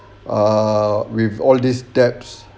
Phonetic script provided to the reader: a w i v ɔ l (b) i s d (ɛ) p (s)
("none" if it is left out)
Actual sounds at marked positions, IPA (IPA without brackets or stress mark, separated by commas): d, ɛ, s